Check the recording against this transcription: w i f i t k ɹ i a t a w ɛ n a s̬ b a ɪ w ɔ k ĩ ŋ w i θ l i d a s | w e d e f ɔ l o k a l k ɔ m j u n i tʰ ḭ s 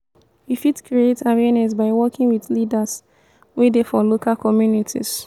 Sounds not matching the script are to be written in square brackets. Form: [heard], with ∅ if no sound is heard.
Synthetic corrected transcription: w i f i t k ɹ i [e] t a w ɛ n [ɛ] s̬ b a ɪ w ɔ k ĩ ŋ w i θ l i d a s | w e d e f ɔ l o k a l k ɔ m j u n i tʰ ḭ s